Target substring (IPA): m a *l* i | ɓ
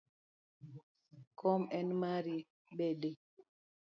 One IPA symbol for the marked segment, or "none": ɾ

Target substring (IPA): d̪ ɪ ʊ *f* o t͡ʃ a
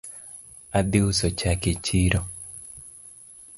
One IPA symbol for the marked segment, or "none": s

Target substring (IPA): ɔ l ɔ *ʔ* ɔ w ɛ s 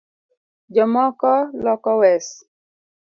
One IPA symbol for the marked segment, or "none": k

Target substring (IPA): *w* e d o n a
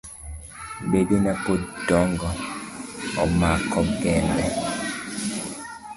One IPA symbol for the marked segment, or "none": b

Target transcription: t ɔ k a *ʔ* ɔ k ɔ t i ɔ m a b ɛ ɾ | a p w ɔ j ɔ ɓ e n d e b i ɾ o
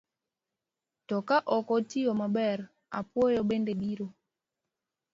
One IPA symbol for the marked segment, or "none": ʔ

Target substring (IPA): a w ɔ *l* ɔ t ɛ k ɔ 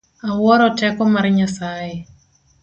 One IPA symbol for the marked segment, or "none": ɾ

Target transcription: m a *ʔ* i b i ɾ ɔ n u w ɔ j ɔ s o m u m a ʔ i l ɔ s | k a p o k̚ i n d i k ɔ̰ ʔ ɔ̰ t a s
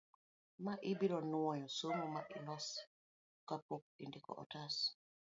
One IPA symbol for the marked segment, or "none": ʔ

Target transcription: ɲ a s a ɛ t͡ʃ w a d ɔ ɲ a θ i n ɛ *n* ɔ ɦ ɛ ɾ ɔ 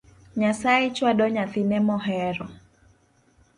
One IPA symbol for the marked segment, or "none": m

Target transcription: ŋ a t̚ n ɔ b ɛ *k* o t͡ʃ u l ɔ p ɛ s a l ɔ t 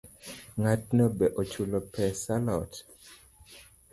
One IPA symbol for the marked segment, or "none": ʔ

